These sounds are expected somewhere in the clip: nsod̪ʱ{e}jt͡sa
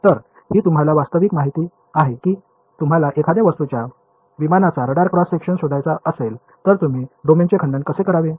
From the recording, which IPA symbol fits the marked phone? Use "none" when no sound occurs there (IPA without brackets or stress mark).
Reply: a